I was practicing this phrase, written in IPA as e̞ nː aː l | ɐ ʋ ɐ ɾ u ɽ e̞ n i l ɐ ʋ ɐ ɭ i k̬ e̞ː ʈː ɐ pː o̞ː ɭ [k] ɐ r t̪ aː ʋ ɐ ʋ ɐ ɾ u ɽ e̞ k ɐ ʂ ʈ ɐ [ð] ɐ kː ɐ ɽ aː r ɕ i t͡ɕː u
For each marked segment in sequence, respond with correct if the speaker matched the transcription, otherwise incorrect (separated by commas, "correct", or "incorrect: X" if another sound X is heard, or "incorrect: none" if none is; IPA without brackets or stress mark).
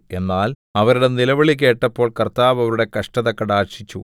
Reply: correct, correct